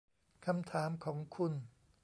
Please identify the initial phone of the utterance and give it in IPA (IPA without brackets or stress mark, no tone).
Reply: kʰ